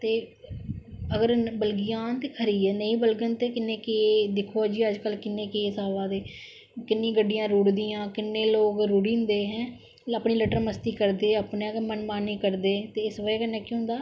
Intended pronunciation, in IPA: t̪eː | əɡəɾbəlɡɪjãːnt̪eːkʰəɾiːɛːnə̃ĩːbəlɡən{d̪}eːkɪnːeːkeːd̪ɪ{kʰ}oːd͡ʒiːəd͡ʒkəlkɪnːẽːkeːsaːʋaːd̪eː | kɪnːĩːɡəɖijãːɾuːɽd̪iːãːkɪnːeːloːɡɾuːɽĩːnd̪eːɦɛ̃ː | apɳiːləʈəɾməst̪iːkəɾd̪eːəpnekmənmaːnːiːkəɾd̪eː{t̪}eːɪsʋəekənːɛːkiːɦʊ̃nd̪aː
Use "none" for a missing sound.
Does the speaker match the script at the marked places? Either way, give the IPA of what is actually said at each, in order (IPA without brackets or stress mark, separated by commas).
t̪, kʰ, t̪